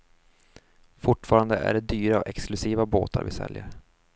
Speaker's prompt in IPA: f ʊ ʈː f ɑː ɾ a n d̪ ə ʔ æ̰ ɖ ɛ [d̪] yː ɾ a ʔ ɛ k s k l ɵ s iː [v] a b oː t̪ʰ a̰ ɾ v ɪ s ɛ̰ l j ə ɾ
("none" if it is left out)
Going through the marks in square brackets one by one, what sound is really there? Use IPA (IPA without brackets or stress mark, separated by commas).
d̪, v